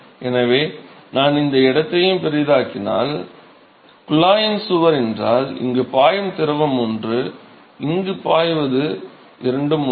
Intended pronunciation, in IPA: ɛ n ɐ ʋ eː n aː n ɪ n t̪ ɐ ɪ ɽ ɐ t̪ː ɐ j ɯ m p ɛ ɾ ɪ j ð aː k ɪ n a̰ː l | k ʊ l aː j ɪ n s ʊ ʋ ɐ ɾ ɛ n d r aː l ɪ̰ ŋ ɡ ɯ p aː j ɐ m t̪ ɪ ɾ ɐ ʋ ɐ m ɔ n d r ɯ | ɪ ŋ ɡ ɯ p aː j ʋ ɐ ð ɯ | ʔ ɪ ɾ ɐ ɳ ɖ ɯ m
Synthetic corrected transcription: ɛ n ɐ ʋ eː n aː n ɪ n d̪ ɐ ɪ ɽ ɐ t̪ː ɐ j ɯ m p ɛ ɾ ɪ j ð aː k ɪ n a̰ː l | k ʊ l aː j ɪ n s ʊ ʋ ɐ ɾ ɛ n d r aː l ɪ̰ ŋ ɡ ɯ p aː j ɐ m t̪ ɪ ɾ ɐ ʋ ɐ m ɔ n d r ɯ | ɪ ŋ ɡ ɯ p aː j ʋ ɐ ð ɯ | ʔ ɪ ɾ ɐ ɳ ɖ ɯ m